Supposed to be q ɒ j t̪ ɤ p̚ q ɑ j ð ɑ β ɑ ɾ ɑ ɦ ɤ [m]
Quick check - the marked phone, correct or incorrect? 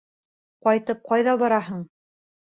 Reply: incorrect: ɴ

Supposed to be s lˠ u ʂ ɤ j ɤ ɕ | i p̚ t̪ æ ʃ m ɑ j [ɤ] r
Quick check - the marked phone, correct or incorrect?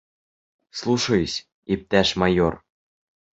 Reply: incorrect: o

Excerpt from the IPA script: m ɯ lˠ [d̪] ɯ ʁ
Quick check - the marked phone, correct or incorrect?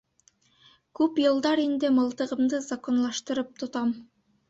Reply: incorrect: t̪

